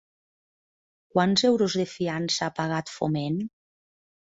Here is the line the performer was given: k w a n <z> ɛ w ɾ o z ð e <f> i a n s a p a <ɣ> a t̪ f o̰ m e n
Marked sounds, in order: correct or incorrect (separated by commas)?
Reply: correct, correct, correct